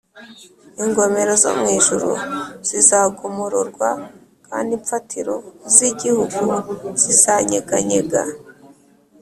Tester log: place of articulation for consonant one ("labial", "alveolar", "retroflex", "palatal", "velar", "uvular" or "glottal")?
velar